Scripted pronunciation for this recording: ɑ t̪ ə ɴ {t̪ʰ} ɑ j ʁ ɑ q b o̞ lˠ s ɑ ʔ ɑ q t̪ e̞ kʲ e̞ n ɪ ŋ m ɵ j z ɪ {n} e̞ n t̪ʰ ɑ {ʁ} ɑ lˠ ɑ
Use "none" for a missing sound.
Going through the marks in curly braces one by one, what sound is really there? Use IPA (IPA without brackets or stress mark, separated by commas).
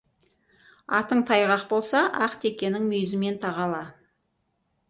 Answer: t̪ʰ, m, ʁ